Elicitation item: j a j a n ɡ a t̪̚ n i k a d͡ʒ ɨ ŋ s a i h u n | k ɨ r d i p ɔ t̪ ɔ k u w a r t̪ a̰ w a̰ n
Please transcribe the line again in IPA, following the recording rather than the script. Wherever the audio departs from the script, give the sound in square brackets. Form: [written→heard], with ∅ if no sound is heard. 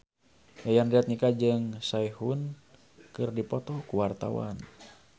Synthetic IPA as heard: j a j a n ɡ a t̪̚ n i k a d͡ʒ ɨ ŋ s a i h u n | k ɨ r d i p ɔ t̪ ɔ k u w a r t̪ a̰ w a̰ n

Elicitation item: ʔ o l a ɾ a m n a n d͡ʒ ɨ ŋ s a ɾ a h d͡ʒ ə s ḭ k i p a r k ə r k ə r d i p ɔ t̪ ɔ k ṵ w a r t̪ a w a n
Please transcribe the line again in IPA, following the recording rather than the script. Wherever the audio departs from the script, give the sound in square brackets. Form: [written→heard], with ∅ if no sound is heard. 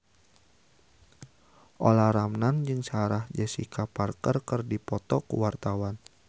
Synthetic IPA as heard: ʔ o l a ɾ a m n a n d͡ʒ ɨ ŋ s a ɾ a h d͡ʒ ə s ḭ k [i→a] p a r k ə r k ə r d i p ɔ t̪ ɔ k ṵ w a r t̪ a w a n

